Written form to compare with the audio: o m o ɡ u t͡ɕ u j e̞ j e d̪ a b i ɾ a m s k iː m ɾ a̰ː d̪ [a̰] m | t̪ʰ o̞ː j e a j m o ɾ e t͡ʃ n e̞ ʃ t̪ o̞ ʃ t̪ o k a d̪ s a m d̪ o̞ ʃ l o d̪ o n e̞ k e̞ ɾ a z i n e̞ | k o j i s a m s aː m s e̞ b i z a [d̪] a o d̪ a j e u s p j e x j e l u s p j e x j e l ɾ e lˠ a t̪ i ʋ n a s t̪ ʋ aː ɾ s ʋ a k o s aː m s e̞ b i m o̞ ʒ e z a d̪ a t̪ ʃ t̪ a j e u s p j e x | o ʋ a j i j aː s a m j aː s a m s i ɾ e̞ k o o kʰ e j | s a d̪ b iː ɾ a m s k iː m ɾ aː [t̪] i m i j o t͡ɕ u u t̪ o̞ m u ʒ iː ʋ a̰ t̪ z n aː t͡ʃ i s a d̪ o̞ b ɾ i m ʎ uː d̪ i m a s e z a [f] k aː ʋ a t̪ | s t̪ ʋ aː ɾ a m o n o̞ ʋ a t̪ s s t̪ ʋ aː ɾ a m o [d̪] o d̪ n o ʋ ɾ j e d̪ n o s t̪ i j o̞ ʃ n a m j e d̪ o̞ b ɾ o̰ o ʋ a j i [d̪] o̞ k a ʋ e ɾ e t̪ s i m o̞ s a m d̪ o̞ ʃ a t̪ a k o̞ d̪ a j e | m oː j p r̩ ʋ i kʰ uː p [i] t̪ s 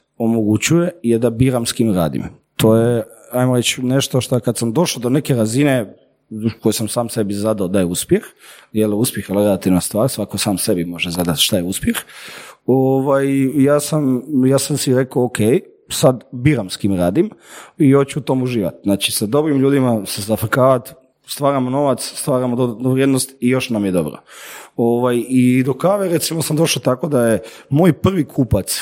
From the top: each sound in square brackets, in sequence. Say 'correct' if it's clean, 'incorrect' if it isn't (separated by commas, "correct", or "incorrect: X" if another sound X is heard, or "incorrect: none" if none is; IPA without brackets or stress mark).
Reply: incorrect: ḭ, correct, incorrect: d̪, correct, correct, correct, incorrect: a